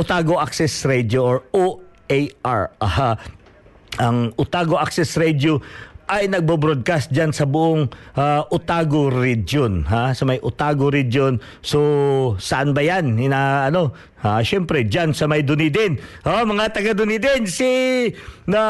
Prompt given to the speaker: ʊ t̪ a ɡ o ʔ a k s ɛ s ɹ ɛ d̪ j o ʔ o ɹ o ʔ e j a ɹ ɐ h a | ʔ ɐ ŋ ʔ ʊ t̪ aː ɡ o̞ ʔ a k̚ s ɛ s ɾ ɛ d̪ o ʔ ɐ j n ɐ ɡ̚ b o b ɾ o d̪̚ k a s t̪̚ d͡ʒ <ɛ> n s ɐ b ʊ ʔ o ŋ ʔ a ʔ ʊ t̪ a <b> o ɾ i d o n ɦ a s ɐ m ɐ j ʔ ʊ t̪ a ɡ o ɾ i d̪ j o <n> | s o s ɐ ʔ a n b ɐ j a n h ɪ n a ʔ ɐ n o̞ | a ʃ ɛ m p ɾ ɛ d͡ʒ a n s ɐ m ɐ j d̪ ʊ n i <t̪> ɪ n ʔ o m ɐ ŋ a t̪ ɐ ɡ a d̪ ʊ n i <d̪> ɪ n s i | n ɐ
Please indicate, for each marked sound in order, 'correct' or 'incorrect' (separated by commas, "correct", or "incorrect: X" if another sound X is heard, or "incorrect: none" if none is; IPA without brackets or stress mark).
incorrect: a, incorrect: ɡ, correct, incorrect: d̪, correct